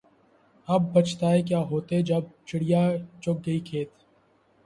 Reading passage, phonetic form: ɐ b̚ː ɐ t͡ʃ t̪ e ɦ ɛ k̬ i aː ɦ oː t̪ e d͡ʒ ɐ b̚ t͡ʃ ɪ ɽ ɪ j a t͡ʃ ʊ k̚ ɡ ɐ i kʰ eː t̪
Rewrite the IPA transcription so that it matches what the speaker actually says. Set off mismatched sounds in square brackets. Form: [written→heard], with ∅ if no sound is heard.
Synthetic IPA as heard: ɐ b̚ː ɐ t͡ʃ t̪ [e→a] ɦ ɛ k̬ [i→j] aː ɦ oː t̪ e d͡ʒ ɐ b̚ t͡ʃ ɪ ɽ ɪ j a t͡ʃ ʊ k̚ ɡ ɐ i kʰ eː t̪